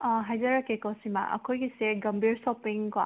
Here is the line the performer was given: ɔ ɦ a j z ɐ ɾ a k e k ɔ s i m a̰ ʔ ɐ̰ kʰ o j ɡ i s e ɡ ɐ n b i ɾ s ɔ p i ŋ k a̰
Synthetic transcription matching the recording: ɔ ɦ a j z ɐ ɾ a k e k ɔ s i m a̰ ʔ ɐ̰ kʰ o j ɡ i s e ɡ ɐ m b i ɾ s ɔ p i ŋ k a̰